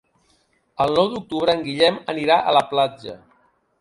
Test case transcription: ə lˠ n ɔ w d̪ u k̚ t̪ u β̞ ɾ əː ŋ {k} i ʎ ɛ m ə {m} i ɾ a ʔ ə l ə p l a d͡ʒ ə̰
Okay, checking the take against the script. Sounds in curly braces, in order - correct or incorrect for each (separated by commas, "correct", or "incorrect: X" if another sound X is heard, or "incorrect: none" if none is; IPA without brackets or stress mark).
incorrect: ɡ, incorrect: n